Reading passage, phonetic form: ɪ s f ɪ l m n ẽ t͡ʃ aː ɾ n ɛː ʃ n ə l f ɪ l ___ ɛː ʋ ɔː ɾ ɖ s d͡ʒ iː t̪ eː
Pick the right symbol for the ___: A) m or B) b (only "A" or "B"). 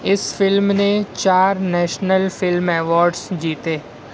A